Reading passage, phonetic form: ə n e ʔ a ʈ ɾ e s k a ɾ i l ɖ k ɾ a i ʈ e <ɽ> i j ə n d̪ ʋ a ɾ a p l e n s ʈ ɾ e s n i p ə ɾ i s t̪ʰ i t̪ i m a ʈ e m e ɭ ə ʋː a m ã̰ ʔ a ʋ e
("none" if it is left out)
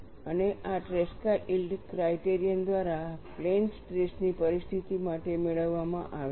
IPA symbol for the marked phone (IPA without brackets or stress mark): ɾ